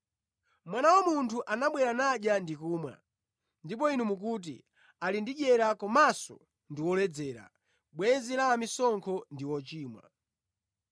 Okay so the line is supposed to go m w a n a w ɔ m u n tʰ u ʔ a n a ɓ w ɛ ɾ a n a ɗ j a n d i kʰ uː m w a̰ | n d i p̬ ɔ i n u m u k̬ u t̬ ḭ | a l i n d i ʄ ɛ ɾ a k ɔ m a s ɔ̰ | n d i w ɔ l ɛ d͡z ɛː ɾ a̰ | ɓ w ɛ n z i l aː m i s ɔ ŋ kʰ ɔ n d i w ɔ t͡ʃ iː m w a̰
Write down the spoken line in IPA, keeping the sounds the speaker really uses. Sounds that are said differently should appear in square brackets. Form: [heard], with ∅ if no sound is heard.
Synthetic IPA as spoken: m w a n a w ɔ m u n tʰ u ʔ a n a ɓ w ɛ ɾ a n a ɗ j a n d i [k] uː m w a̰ | n d i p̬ ɔ i n u m u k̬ u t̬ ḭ | a l i n d i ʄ ɛ ɾ a k ɔ m a s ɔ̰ | n d i w ɔ l ɛ d͡z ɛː ɾ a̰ | ɓ w ɛ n z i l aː m i s ɔ ŋ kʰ ɔ n d i w ɔ t͡ʃ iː m w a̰